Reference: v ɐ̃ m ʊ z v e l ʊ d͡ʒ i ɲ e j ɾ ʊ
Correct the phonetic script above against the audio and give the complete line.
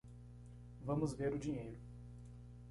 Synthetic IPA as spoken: v ɐ̃ m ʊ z v e ɾ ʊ d͡ʒ i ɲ e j ɾ ʊ